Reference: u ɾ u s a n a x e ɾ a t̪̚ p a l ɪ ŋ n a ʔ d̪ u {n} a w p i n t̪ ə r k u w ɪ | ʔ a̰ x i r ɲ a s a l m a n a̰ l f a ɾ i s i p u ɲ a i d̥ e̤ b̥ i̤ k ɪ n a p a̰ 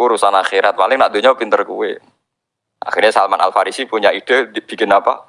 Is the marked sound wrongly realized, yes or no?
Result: yes